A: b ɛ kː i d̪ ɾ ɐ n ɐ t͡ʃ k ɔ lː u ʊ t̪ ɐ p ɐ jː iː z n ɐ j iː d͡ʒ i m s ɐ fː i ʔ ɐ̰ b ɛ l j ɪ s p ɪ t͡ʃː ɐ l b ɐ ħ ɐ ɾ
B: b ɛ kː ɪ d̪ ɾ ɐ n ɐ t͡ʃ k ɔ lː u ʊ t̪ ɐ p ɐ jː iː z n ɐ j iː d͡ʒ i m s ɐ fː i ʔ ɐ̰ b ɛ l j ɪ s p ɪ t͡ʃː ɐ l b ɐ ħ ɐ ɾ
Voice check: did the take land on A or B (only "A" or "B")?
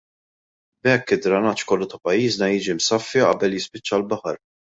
B